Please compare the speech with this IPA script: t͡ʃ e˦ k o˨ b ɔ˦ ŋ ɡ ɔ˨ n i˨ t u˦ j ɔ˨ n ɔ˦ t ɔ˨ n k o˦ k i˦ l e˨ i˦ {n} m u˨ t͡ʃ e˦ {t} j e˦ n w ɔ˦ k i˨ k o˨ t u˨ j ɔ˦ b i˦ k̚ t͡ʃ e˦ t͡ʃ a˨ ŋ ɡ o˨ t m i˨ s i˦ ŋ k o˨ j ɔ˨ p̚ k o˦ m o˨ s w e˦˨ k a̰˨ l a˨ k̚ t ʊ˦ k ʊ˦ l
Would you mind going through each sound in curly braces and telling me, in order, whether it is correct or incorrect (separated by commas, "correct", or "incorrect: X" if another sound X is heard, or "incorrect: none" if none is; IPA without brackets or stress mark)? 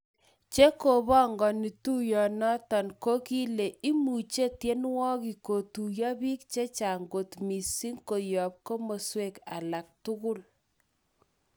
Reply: incorrect: none, correct